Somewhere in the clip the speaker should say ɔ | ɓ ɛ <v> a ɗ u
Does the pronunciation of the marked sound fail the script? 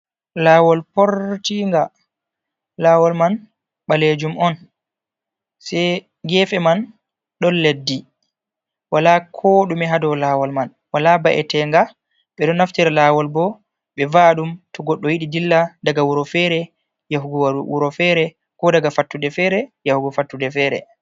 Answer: no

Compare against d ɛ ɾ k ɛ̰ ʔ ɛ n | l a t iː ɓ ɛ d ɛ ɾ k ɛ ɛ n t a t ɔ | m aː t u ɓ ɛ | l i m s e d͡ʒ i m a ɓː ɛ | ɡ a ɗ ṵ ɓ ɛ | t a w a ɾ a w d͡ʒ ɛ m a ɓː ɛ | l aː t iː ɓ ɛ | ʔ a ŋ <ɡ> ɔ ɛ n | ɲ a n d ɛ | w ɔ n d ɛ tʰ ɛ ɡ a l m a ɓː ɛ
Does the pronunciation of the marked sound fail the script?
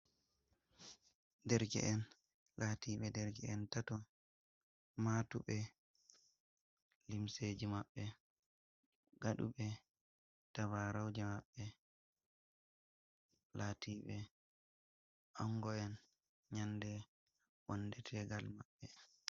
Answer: no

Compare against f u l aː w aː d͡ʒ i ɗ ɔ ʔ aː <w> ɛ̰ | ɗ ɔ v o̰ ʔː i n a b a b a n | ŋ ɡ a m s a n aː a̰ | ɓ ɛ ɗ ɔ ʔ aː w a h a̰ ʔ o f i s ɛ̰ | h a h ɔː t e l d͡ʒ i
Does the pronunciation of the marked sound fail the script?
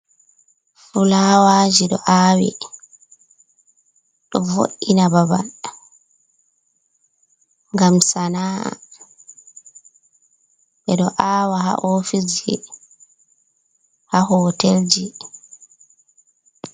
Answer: no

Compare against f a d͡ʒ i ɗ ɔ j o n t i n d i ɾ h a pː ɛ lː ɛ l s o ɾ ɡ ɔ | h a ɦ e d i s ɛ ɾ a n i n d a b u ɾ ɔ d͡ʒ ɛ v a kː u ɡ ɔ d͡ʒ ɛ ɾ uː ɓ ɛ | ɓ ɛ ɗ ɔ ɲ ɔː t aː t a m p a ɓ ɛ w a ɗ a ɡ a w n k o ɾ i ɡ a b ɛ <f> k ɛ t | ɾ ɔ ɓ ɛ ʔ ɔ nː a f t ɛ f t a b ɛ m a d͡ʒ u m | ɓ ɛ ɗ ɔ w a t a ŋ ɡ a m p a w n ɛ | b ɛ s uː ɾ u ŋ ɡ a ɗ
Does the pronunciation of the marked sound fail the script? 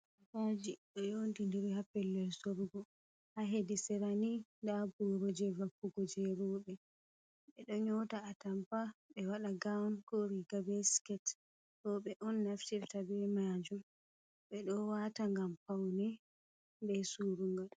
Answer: yes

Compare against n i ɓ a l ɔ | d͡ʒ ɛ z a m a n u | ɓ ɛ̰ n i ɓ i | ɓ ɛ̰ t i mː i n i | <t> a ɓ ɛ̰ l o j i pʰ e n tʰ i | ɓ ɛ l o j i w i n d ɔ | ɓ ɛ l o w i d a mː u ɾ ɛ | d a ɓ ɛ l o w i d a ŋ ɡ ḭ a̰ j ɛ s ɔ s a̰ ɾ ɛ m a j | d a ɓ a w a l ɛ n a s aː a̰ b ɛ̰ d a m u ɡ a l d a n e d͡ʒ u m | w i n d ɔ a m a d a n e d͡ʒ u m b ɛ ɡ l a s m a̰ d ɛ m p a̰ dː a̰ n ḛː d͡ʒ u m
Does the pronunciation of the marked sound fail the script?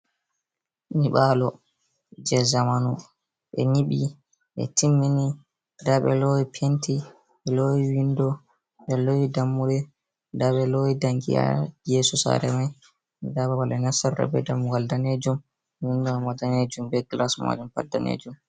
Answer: yes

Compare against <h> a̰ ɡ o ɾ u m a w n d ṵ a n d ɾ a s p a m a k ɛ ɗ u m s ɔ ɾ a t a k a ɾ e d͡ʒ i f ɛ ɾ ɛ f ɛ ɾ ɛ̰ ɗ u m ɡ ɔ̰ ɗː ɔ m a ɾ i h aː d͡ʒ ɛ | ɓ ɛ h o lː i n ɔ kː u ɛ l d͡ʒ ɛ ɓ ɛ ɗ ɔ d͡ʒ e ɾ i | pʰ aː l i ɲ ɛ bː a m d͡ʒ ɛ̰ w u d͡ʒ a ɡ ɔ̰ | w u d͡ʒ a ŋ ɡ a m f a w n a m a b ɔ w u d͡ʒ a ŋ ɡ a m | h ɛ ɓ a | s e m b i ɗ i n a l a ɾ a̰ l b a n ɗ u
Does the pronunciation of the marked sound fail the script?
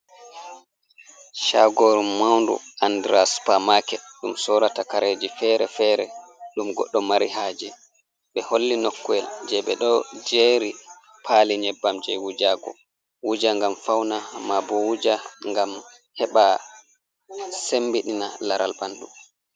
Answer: yes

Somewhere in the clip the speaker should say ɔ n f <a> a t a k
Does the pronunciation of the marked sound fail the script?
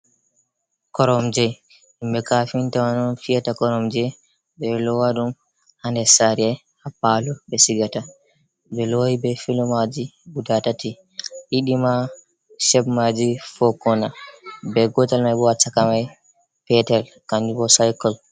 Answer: yes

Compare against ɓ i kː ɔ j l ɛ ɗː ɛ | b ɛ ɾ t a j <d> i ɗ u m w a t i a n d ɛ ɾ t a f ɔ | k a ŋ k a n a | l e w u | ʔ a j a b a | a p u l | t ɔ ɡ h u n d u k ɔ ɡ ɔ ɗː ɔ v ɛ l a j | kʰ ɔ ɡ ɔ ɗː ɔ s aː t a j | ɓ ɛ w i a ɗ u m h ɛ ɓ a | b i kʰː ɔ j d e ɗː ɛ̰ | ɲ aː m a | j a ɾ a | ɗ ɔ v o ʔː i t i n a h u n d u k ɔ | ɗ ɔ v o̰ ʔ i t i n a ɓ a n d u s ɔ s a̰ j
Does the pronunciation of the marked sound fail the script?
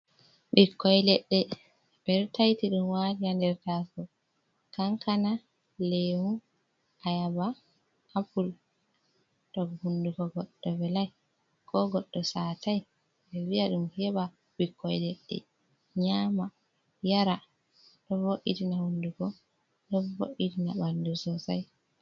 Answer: yes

